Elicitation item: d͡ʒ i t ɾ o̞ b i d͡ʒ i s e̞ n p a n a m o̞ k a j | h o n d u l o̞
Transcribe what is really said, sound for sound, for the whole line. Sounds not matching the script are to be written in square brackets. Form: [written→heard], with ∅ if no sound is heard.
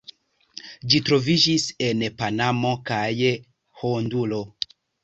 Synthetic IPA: d͡ʒ i t ɾ o̞ [b→v] i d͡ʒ i s e̞ n p a n a m o̞ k a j | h o n d u l o̞